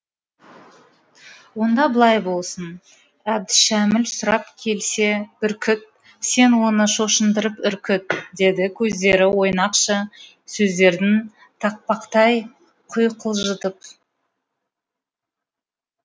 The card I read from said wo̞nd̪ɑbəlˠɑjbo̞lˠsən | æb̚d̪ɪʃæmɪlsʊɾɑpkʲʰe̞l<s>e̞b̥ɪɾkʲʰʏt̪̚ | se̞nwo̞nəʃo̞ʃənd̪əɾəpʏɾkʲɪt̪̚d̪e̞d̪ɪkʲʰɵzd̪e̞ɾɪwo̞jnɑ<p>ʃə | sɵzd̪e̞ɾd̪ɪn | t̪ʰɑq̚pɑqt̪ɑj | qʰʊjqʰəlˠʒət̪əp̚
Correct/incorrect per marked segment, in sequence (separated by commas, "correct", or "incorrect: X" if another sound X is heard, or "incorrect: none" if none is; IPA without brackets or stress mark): correct, incorrect: q